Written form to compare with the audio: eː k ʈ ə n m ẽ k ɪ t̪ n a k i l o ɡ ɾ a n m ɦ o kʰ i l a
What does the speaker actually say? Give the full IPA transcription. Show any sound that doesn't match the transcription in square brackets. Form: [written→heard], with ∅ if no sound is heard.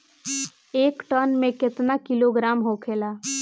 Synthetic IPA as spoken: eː k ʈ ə n m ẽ k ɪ t̪ n a k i l o ɡ ɾ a [n→∅] m ɦ o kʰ [i→e] l a